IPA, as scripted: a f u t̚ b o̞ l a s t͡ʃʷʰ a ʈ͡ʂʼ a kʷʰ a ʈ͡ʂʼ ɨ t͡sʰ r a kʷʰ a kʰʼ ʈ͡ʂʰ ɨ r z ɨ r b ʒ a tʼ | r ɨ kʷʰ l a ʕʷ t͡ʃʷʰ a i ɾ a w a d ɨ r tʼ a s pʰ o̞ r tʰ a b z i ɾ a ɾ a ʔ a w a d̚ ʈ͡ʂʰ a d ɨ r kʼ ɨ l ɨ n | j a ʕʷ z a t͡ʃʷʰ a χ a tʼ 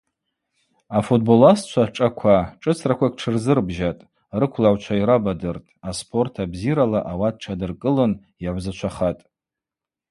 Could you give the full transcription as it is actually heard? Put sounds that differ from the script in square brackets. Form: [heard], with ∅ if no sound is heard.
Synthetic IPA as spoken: a f u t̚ b o̞ l a s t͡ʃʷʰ a ʈ͡ʂʼ a kʷʰ a ʈ͡ʂʼ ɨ t͡sʰ r a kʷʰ a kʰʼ ʈ͡ʂʰ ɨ r z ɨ r b ʒ a tʼ | r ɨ kʷʰ l a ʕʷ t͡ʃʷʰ a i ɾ a [b] a d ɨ r tʼ a s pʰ o̞ r tʰ a b z i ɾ a [l] a ʔ a w a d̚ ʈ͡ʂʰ a d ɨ r kʼ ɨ l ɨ n | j a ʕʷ z a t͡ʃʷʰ a χ a tʼ